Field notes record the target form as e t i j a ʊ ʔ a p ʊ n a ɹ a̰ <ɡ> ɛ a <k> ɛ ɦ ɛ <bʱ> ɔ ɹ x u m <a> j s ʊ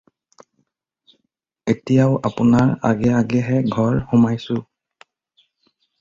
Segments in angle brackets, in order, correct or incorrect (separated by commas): correct, incorrect, incorrect, correct